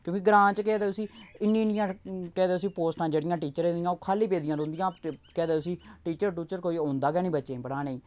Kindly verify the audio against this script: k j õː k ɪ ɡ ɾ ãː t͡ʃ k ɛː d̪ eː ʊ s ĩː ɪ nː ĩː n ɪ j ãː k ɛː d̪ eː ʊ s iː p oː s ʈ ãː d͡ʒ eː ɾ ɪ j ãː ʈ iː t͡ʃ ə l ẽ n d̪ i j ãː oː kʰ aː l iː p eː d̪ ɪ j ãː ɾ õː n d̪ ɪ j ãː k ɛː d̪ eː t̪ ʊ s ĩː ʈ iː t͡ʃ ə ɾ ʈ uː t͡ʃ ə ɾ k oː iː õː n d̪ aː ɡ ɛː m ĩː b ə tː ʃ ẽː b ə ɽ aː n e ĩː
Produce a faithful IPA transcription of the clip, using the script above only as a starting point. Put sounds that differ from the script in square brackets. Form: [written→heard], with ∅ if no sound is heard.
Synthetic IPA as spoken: k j õː k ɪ ɡ ɾ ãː t͡ʃ k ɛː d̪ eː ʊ s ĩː ɪ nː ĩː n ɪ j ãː k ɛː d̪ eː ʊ s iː p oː s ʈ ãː d͡ʒ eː [ɾ→ɽ] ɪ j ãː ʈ iː t͡ʃ ə [l→ɾ] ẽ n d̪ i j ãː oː kʰ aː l iː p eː d̪ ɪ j ãː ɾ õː n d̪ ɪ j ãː k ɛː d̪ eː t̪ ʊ s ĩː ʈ iː t͡ʃ ə ɾ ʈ uː t͡ʃ ə ɾ k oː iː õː n d̪ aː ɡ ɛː [m→n] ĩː b ə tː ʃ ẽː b ə ɽ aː n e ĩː